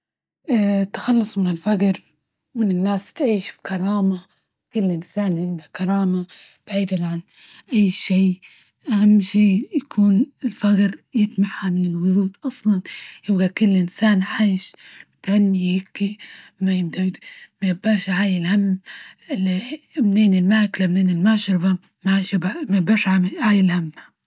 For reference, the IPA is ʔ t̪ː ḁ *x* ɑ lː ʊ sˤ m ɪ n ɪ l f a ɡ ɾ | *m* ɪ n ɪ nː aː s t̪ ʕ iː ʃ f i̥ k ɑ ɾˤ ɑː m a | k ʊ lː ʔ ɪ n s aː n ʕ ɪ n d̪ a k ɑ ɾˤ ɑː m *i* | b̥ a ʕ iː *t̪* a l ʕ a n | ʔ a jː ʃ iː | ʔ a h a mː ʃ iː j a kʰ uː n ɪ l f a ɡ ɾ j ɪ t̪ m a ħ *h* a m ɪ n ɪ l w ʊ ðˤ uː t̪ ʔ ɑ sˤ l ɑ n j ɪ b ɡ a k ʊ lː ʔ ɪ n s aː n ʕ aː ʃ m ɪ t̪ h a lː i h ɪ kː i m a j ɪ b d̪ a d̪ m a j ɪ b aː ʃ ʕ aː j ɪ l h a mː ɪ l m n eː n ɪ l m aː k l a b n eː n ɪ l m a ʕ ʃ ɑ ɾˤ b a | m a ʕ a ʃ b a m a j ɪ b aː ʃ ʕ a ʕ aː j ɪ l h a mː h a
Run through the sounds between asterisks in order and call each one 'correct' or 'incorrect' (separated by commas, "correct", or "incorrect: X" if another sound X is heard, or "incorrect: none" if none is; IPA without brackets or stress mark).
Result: correct, correct, incorrect: a, incorrect: d̪, correct